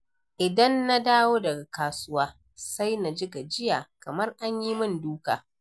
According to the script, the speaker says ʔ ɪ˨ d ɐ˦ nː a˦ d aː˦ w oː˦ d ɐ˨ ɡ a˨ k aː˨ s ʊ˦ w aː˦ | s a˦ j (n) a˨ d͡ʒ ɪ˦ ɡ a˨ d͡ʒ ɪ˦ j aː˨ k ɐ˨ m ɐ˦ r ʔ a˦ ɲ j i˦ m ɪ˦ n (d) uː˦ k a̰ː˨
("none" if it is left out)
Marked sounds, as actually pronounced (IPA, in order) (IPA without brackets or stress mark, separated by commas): n, d